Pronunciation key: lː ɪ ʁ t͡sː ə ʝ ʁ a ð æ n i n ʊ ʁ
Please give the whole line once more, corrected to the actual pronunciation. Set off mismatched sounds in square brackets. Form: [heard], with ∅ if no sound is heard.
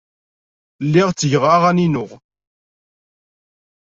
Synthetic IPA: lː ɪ ʁ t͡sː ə ʝ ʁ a [ʁ] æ n i n ʊ ʁ